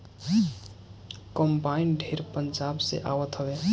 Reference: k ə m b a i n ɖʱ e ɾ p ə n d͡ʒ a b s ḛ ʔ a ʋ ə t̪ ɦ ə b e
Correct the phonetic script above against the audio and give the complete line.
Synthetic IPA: k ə m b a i n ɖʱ e ɾ p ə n d͡ʒ a b s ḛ ʔ a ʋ ə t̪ ɦ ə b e